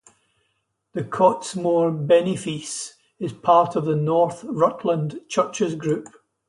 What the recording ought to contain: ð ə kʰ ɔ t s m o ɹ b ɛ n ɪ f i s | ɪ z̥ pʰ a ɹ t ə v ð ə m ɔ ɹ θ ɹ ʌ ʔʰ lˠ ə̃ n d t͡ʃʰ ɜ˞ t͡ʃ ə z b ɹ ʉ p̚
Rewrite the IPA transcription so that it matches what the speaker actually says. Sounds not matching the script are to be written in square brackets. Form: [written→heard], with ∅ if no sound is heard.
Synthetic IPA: ð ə kʰ ɔ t s m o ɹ b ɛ n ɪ f i s | ɪ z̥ pʰ a ɹ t ə v ð ə [m→n] ɔ ɹ θ ɹ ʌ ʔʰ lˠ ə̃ n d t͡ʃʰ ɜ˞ t͡ʃ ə z [b→ɡ] ɹ ʉ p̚